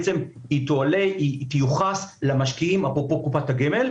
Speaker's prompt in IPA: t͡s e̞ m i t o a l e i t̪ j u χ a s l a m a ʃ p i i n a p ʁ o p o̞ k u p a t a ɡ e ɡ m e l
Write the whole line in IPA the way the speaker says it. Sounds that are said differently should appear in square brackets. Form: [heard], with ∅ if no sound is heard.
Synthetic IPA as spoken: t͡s e̞ m i t o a l e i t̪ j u χ a s l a m a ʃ [k] i i [m] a p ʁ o p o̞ k u p a t a ɡ e [∅] m e l